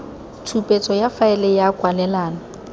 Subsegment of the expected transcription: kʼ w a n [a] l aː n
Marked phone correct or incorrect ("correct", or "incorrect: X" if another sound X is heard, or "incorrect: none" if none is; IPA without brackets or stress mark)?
incorrect: ɛ